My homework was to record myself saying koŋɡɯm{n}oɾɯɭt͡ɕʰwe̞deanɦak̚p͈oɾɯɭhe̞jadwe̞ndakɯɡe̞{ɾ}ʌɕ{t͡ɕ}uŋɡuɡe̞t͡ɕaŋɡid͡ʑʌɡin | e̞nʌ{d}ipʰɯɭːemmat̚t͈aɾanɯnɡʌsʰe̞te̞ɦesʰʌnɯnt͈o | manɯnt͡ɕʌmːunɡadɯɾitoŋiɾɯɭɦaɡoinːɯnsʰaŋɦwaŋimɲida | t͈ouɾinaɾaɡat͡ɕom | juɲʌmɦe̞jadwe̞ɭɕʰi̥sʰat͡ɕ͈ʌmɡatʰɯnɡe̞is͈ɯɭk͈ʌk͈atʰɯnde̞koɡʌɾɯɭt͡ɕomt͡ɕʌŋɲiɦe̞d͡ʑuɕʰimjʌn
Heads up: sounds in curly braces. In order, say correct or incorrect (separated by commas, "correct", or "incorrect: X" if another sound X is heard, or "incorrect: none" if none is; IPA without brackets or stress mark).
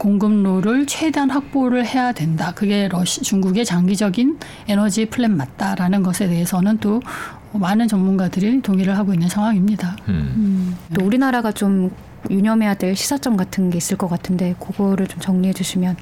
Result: correct, correct, correct, incorrect: d͡ʑ